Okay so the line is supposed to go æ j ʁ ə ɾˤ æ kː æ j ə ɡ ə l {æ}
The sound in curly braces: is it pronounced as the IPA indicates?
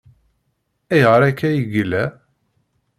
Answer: yes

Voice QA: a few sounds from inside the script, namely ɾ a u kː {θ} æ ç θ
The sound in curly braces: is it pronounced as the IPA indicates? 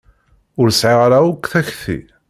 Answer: yes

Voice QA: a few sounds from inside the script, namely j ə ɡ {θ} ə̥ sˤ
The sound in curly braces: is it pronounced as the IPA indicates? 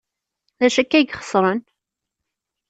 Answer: no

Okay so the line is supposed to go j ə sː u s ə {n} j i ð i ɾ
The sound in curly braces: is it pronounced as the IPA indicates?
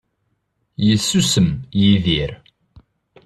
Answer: no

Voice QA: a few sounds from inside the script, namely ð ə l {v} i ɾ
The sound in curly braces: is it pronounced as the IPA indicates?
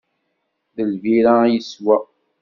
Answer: yes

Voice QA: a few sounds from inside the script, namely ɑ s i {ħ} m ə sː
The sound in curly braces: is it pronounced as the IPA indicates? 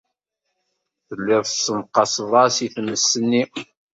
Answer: no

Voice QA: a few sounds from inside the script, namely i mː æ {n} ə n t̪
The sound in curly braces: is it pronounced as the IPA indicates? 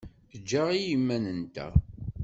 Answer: yes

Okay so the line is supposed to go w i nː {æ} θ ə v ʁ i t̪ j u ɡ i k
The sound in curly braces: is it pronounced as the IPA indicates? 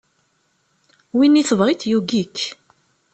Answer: no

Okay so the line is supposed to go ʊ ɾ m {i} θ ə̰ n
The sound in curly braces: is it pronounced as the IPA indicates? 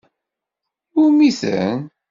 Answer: yes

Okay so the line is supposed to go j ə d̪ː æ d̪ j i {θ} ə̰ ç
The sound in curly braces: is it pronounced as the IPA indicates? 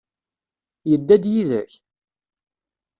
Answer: no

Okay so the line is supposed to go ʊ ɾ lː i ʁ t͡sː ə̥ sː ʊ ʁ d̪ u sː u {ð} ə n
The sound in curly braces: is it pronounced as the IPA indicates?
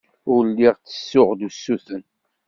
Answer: no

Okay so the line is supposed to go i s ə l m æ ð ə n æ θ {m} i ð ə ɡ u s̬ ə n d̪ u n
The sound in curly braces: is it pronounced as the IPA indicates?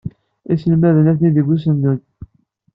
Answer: no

